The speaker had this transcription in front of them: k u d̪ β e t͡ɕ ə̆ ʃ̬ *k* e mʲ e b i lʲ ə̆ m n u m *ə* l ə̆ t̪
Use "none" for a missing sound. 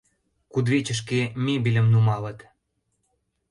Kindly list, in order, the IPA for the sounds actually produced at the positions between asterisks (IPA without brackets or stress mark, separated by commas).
k, ɑ